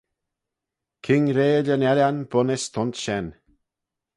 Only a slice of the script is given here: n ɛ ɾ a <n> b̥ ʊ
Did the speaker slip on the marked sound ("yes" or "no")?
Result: no